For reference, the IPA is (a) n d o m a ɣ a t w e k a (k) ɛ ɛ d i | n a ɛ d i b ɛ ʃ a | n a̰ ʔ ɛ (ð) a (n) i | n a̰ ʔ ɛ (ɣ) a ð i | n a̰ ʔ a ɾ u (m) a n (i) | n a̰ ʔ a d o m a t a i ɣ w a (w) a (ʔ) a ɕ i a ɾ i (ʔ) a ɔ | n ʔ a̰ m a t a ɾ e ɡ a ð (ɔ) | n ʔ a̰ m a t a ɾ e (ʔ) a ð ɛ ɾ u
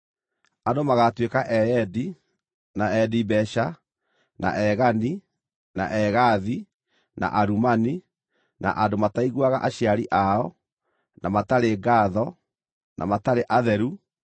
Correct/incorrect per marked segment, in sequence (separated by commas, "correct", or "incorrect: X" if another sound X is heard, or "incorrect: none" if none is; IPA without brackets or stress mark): correct, incorrect: ʔ, incorrect: ɣ, correct, correct, correct, correct, incorrect: ɣ, correct, correct, correct, correct